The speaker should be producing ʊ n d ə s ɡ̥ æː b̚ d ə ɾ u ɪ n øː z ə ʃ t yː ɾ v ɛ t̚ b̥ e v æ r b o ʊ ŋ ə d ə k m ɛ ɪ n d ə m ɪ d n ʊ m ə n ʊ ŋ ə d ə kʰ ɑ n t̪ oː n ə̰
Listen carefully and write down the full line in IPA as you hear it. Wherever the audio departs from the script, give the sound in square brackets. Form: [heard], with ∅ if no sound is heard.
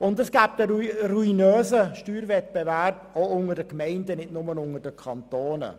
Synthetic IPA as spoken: ʊ n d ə s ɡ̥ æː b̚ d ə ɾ u [i] n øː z ə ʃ t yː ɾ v ɛ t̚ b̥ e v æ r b o ʊ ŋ ə d ə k m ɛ ɪ n d ə [n] ɪ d n ʊ m ə n ʊ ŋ ə d ə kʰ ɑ n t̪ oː n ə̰

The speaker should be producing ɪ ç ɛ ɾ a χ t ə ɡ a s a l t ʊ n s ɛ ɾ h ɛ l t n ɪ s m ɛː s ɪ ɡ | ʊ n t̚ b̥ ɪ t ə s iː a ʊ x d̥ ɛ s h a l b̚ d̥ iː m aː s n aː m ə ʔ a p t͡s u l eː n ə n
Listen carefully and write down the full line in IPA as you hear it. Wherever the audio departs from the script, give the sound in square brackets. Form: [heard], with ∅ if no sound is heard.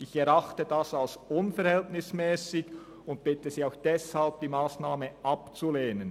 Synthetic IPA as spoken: ɪ ç ɛ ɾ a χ t ə [d] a s a l [s] ʊ n [f] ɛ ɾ h ɛ l t n ɪ s m ɛː s ɪ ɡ | ʊ n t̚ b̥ ɪ t ə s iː a ʊ x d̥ ɛ s h a l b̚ d̥ iː m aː s n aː m ə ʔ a p t͡s u l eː n ə n

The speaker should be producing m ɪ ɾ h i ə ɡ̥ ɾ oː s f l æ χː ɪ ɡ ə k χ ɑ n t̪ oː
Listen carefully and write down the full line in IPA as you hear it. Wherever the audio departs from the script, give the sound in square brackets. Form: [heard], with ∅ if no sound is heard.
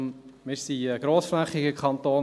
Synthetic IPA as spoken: m ɪ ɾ [s] i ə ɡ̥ ɾ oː s f l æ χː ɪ ɡ ə k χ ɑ n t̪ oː

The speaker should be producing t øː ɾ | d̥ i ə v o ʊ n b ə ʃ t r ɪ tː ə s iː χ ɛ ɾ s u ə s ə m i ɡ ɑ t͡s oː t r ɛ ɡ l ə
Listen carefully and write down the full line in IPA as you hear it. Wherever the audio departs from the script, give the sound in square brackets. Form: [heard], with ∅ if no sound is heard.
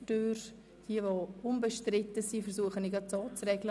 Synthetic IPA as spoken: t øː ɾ | d̥ i ə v o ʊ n b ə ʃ t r ɪ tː ə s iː [f] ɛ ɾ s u ə [χ] ə [n] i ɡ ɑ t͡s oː [t͡s] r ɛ ɡ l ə

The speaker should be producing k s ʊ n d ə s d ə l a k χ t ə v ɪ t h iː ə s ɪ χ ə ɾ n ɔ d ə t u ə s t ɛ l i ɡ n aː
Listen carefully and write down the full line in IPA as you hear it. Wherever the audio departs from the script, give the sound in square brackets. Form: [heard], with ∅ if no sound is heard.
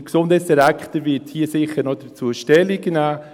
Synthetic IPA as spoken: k s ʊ n d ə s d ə [ɾ] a k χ t ə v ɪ t h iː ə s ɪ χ ə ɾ n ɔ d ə [t͡s] u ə [ʃ] t ɛ l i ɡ n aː

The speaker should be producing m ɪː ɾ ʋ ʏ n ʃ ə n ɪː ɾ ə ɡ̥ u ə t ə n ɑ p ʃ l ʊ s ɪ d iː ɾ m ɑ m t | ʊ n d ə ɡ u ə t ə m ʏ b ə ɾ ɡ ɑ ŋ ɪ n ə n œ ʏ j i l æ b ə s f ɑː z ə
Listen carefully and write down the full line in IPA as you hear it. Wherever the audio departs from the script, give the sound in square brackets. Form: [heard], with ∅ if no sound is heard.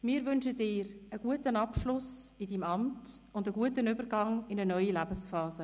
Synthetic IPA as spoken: m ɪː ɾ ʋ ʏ n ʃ ə [d] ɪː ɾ ə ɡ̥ u ə t ə n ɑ p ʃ l ʊ s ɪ d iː [∅] m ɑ m t | ʊ n d ə ɡ u ə t ə [n] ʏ b ə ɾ ɡ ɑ ŋ ɪ n ə n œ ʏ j i l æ b ə s f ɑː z ə

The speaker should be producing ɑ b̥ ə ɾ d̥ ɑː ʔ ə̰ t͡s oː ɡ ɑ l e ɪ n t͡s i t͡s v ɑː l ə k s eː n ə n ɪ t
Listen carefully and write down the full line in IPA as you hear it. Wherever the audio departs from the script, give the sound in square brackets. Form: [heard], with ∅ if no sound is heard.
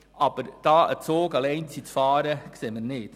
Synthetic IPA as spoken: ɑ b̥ ə ɾ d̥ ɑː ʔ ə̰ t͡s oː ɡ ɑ l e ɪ n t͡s i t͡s [f] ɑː [ɾ] ə k s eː [m] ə n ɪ t

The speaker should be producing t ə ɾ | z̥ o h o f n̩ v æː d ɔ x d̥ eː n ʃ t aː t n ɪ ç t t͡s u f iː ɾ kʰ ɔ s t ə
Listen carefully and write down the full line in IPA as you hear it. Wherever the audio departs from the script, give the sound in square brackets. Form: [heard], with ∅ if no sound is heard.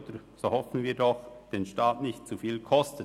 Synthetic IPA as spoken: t ə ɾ | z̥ o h [ɔ] f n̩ v [iː] d ɔ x d̥ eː n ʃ t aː t n ɪ ç t t͡s u f iː [l] kʰ ɔ s t ə

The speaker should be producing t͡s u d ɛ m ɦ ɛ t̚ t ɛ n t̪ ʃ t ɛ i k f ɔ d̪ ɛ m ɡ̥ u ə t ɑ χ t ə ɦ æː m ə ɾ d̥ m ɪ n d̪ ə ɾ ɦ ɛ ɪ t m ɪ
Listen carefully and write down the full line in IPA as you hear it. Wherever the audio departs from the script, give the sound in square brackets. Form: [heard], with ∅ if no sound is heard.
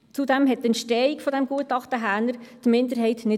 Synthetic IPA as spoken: t͡s u d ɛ m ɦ ɛ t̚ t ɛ n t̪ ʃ t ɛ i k f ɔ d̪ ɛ m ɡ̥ u ə t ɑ χ t ə ɦ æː [n] ə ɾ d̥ m ɪ n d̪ ə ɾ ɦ ɛ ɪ t [n] ɪ

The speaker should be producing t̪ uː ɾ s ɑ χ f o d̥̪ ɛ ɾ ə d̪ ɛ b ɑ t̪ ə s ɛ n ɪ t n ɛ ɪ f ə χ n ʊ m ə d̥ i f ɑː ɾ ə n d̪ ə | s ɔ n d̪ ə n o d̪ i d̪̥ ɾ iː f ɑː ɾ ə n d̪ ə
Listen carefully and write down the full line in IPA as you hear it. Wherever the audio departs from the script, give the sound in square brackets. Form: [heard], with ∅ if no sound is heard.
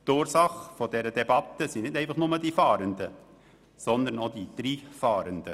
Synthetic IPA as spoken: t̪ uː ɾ s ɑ χ f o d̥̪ ɛ ɾ ə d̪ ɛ b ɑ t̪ ə s [i] n ɪ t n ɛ ɪ f [ɑ] χ n ʊ m ə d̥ i f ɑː ɾ ə n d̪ ə | s ɔ n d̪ ə n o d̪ i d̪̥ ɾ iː f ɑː ɾ ə n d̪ ə

